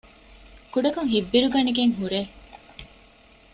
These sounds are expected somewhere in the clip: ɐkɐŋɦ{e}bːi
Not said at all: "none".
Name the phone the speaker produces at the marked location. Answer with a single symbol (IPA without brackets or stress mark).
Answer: i